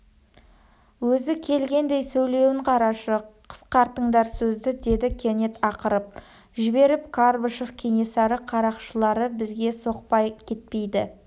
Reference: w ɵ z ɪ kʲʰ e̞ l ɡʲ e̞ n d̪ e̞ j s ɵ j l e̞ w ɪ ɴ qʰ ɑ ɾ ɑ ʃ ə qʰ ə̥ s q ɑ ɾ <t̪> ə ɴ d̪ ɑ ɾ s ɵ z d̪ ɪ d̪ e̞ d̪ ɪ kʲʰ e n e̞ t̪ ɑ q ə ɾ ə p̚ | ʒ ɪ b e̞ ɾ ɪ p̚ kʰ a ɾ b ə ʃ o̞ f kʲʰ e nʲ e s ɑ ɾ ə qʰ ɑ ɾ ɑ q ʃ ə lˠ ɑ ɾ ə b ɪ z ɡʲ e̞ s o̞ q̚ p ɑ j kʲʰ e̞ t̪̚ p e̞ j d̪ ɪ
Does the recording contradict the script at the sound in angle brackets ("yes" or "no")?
no